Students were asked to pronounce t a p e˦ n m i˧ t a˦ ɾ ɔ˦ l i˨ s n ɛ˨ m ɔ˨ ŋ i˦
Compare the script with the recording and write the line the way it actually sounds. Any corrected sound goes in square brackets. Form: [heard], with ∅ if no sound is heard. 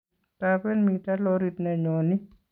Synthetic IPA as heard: t a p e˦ n m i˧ t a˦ [l] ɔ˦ [ɾ] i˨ [t] n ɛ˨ [ɲ] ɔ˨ [n] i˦